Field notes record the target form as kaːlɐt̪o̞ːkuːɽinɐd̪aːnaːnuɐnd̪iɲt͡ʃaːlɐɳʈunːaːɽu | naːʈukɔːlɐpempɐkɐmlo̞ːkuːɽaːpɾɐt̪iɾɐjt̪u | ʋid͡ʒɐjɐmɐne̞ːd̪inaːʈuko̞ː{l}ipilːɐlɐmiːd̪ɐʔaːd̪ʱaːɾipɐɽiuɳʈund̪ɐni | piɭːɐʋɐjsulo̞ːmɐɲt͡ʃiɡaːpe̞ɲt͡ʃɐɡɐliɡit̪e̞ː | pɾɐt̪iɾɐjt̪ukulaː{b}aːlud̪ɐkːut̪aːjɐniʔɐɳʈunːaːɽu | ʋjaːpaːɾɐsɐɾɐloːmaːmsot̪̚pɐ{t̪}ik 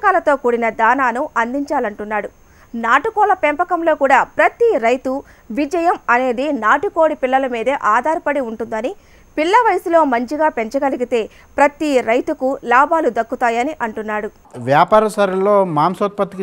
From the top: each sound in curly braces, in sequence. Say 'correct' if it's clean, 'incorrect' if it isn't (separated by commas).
incorrect, correct, correct